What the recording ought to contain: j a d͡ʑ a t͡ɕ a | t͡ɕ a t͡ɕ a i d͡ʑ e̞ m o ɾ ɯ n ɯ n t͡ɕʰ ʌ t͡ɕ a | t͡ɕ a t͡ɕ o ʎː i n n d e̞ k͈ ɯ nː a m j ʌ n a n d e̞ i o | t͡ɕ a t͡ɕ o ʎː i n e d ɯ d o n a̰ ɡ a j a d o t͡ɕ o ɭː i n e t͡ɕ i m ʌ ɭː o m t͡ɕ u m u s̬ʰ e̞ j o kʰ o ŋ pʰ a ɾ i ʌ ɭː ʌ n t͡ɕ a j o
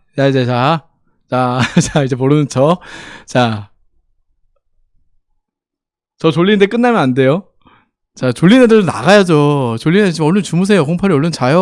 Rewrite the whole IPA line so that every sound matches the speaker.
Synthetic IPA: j a d͡ʑ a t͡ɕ a | t͡ɕ a t͡ɕ a i d͡ʑ e̞ m o ɾ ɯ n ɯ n t͡ɕʰ ʌ t͡ɕ a | t͡ɕ ʌ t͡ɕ o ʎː i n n d e̞ k͈ ɯ nː a m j ʌ n a n d e̞ j o | t͡ɕ a t͡ɕ o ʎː i n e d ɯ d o n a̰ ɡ a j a d͡ʑ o t͡ɕ o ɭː i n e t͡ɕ i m ʌ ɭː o n t͡ɕ u m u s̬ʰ e̞ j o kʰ o ŋ pʰ a ɾ i ʌ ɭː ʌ n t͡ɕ a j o